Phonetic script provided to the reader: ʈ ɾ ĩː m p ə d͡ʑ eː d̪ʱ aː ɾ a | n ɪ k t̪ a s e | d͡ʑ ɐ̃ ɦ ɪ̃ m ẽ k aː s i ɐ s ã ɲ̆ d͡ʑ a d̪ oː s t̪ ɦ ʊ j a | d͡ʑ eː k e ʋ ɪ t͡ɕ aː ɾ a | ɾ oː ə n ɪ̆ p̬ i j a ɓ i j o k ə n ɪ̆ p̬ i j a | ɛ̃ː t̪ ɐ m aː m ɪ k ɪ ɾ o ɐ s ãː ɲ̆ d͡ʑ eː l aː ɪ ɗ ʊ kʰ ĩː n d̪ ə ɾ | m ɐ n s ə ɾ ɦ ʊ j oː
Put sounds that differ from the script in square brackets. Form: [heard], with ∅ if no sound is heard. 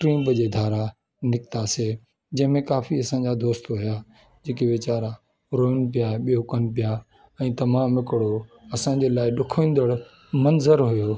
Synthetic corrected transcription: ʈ ɾ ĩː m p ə d͡ʑ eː d̪ʱ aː ɾ a | n ɪ k t̪ a s e | d͡ʑ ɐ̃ ɦ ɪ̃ m ẽ k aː [f] i ɐ s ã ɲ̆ d͡ʑ a d̪ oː s t̪ ɦ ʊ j a | d͡ʑ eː k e ʋ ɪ t͡ɕ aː ɾ a | ɾ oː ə n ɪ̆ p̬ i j a ɓ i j o k ə n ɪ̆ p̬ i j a | ɛ̃ː t̪ ɐ m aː m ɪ k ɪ [ɽ] o ɐ s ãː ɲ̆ d͡ʑ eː l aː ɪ ɗ ʊ kʰ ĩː n d̪ ə [ɽ] | m ɐ n [z] ə ɾ ɦ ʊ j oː